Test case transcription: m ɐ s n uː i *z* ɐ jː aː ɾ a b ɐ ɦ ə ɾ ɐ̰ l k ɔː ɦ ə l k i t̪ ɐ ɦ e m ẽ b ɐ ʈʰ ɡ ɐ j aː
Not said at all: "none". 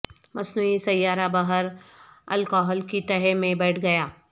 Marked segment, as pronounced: s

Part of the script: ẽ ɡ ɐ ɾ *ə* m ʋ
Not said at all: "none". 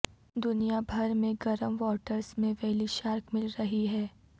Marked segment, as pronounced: ə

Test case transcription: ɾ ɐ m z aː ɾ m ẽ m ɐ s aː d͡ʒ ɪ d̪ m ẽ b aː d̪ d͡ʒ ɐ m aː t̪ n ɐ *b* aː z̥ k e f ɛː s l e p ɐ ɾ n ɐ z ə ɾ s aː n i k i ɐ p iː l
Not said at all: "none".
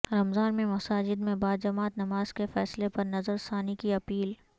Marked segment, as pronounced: m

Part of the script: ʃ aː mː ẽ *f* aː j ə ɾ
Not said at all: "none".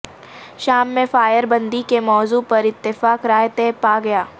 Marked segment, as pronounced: f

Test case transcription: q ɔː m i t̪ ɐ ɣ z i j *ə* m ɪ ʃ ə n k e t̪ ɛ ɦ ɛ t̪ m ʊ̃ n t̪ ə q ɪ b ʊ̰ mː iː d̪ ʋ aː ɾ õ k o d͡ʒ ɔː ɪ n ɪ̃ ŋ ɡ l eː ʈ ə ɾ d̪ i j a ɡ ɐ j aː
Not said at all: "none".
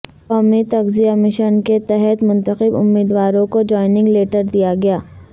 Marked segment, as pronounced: a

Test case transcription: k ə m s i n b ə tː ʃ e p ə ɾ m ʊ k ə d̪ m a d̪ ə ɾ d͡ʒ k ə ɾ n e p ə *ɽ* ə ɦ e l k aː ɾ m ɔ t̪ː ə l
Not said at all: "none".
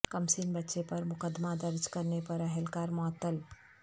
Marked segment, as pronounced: ɾ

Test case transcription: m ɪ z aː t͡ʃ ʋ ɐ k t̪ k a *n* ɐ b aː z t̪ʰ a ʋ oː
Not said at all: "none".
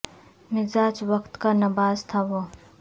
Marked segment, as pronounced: n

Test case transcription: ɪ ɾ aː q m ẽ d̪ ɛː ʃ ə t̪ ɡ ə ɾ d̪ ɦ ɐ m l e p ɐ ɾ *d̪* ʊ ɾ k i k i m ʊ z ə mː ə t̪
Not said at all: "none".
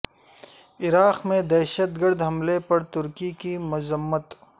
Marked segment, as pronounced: t̪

